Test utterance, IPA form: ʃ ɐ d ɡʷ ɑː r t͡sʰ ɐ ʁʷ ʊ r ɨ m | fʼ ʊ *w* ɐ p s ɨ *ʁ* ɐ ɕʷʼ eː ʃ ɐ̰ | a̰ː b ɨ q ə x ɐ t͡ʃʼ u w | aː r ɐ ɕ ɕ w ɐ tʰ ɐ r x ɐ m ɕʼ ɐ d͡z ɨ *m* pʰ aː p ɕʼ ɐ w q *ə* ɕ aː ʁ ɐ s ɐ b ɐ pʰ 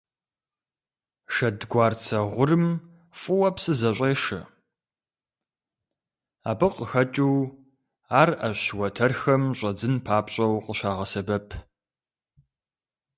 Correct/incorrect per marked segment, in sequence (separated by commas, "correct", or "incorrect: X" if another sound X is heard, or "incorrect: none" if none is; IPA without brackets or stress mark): correct, incorrect: z, incorrect: n, correct